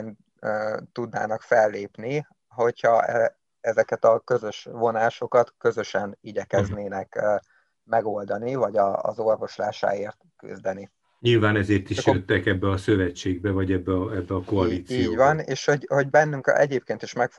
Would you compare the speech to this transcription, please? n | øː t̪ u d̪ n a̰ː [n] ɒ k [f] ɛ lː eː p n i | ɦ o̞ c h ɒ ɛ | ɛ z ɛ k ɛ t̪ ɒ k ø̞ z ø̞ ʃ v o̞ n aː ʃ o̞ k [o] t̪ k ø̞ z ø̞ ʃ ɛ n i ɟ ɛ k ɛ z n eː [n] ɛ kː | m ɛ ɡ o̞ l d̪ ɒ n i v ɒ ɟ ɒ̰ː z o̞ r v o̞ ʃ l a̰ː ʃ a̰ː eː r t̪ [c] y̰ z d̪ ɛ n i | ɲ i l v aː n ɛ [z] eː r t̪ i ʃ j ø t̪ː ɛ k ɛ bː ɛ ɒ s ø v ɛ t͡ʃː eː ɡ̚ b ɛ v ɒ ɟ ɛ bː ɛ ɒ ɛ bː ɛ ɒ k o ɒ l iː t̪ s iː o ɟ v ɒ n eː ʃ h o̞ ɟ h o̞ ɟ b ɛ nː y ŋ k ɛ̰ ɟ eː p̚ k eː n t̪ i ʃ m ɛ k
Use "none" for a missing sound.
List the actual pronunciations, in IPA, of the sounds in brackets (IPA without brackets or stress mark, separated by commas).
n, f, ɒ, n, k, z